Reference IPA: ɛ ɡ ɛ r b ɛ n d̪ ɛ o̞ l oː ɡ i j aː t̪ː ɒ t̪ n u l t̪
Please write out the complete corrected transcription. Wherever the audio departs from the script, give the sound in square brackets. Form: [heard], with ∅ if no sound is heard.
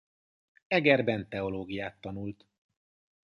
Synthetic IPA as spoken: ɛ ɡ ɛ r b ɛ n [t̪] ɛ o̞ l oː ɡ i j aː t̪ː ɒ [∅] n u l t̪